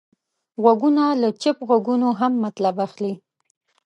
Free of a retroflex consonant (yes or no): yes